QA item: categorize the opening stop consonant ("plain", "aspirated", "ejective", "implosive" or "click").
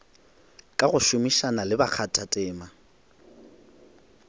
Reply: ejective